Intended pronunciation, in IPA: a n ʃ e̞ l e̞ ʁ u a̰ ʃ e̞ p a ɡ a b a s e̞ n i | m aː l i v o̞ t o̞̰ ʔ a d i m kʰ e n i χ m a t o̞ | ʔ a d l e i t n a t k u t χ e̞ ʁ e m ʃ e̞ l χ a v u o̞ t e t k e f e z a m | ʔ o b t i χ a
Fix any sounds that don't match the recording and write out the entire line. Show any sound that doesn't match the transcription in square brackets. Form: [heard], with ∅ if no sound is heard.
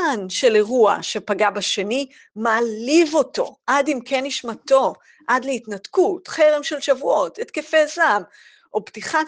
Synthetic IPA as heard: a n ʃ e̞ l e̞ ʁ u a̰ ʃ e̞ p a ɡ a b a [ʃ] e̞ n i | m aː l i v o̞ t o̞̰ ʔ a d i m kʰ e n i [ʃ] m a t o̞ | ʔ a d l e i t n a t k u t χ e̞ ʁ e m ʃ e̞ l [ʃ] a v u o̞ t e t k e f e z a m | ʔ o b t i χ a